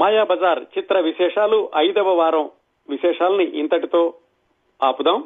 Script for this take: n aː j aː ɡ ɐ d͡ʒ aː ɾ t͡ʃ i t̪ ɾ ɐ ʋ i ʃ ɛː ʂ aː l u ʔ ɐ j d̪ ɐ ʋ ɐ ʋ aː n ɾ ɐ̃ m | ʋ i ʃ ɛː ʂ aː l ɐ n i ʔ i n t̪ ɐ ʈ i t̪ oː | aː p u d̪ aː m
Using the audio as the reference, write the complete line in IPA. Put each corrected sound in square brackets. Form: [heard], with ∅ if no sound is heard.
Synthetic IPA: [m] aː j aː [b] ɐ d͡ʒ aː ɾ t͡ʃ i t̪ ɾ ɐ ʋ i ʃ ɛː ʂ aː l u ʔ ɐ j d̪ ɐ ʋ ɐ ʋ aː [∅] ɾ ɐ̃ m | ʋ i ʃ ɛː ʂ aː l ɐ n i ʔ i n t̪ ɐ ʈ i t̪ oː | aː p u d̪ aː m